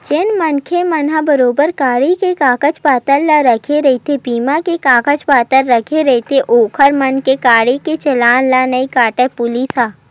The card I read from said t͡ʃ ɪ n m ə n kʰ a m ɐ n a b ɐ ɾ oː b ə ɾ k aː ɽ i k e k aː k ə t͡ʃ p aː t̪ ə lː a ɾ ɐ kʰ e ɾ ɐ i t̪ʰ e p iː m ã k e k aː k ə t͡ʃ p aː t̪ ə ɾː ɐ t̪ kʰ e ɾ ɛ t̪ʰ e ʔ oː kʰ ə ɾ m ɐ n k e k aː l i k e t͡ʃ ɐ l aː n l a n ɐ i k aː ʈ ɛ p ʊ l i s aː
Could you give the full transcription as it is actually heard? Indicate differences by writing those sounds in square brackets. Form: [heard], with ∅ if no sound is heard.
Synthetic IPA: t͡ʃ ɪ n m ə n kʰ [e] m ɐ n a b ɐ ɾ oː b ə ɾ k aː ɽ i k e k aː k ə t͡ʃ p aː t̪ ə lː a ɾ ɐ kʰ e ɾ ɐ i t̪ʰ e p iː m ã k e k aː k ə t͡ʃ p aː t̪ ə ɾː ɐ [∅] kʰ e ɾ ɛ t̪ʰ e ʔ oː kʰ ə ɾ m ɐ n k e k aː [ɽ] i k e t͡ʃ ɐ l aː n l a n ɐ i k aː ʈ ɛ p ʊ l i s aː